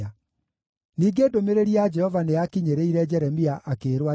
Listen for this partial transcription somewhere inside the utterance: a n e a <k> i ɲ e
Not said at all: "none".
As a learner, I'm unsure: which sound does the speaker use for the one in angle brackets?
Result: k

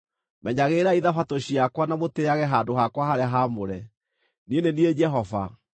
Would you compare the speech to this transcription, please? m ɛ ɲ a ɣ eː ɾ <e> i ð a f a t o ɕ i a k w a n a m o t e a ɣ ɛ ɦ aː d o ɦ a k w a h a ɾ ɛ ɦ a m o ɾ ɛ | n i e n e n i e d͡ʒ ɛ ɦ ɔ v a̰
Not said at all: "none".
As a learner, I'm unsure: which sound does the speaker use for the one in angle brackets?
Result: a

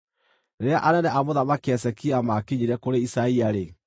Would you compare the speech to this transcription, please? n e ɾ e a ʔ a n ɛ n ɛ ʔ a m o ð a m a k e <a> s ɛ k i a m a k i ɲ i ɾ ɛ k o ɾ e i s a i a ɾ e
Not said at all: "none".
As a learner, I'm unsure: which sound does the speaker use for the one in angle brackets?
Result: ɛ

